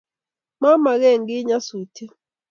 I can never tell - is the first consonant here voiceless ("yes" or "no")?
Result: no